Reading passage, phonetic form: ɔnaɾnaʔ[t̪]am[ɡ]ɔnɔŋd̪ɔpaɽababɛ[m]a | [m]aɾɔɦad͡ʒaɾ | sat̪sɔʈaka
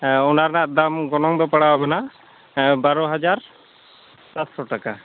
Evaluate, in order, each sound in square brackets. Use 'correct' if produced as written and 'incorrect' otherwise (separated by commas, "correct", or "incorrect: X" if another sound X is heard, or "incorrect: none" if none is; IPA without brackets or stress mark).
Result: incorrect: d̪, correct, incorrect: n, incorrect: b